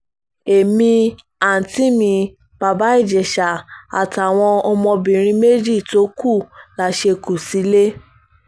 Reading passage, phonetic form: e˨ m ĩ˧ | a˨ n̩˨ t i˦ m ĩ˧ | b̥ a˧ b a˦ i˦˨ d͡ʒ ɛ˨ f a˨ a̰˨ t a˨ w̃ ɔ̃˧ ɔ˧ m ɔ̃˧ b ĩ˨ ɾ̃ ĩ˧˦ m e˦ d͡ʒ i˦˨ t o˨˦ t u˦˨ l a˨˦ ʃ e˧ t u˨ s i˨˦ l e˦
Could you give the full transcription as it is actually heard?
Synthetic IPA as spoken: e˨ m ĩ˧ | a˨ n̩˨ t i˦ m ĩ˧ | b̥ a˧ b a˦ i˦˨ d͡ʒ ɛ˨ ʃ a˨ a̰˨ t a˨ w̃ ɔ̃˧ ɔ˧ m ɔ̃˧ b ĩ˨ ɾ̃ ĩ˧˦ m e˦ d͡ʒ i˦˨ t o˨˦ k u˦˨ l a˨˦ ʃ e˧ k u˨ s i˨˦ l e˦